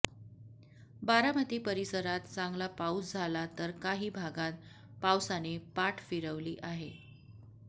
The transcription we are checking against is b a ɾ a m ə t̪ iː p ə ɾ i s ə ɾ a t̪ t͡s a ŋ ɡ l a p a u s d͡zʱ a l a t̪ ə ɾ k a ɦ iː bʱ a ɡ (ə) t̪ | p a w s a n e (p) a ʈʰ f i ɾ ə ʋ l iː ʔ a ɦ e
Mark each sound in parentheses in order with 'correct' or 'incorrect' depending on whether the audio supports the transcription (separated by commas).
incorrect, correct